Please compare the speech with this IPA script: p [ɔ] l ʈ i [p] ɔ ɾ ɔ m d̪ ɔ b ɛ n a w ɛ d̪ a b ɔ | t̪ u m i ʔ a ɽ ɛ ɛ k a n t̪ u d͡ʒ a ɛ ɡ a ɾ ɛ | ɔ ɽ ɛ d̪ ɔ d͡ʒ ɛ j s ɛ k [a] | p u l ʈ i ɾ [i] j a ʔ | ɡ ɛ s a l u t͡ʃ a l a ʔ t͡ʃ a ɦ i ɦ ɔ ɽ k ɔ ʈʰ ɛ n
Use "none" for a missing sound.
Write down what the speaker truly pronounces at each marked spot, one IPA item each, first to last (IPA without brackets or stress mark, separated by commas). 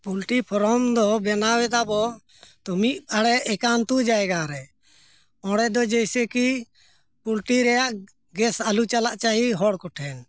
u, pʰ, i, ɛ